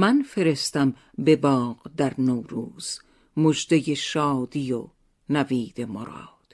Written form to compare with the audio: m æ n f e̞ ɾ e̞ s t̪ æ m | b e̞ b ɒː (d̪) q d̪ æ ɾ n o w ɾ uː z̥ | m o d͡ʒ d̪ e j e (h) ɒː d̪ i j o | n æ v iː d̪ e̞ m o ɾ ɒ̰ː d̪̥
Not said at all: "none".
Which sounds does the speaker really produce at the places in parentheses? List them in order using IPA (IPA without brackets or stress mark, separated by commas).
none, ʃ